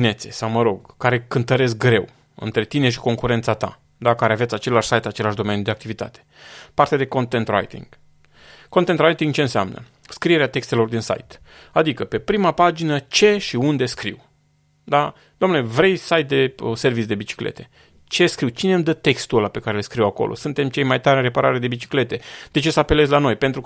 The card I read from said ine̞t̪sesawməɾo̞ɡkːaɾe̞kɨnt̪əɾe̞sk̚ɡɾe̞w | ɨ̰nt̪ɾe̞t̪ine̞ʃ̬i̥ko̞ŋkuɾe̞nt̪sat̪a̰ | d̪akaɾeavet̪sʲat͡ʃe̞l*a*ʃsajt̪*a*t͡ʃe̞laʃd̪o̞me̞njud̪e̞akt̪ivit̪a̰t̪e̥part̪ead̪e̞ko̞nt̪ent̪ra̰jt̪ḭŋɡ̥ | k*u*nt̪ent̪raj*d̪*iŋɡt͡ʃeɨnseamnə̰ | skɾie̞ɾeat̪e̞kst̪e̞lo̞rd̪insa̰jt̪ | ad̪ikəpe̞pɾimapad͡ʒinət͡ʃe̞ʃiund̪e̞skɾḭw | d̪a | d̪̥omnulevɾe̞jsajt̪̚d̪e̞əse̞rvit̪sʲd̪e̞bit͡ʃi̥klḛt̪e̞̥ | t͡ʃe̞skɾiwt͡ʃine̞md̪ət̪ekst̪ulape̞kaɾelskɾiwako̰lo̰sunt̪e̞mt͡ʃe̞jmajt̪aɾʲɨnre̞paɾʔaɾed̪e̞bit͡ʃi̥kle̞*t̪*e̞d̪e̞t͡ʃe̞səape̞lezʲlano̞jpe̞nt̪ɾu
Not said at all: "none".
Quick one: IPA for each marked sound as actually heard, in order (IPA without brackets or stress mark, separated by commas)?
a, a, o, t̪, t̪